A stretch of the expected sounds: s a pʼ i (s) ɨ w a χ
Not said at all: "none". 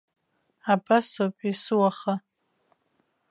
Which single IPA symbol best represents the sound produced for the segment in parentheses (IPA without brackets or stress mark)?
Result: s